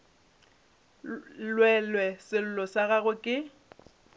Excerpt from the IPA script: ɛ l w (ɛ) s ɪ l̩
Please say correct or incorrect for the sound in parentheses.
correct